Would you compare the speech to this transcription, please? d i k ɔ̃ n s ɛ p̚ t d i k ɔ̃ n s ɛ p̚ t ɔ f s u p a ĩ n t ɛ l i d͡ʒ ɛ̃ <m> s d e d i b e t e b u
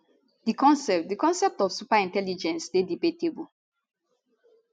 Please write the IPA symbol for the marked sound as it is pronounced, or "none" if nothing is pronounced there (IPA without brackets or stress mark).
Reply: n